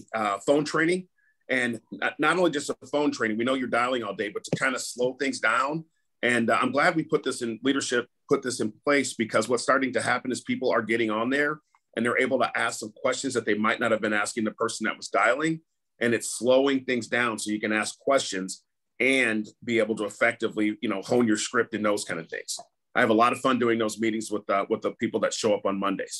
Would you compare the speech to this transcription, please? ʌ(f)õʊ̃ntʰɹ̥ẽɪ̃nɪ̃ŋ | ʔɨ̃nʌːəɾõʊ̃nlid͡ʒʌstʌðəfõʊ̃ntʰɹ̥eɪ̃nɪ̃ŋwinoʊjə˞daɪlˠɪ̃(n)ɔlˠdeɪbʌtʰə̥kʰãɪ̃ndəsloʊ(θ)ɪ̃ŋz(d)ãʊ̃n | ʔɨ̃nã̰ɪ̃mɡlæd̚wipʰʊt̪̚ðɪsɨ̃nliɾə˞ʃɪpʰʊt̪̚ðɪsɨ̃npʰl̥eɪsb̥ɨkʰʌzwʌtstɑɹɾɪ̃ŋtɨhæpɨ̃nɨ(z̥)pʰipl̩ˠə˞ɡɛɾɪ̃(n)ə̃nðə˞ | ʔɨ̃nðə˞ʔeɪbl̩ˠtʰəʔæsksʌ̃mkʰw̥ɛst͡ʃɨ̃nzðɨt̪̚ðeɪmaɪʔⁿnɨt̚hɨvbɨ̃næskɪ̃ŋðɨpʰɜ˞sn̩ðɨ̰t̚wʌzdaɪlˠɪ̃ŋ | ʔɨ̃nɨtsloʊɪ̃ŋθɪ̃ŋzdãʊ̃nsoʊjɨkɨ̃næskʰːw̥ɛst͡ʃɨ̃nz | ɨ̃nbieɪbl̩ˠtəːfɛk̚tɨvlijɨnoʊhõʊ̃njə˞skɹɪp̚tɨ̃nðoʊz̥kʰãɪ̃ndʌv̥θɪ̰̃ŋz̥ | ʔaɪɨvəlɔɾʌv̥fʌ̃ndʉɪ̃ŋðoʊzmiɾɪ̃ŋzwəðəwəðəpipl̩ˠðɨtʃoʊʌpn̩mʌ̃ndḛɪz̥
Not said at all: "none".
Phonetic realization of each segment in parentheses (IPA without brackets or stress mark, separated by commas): f, ŋ, θ, d, z̥, ŋ